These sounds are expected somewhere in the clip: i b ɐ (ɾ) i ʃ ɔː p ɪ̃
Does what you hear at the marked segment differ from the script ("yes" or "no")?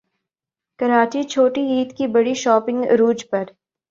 yes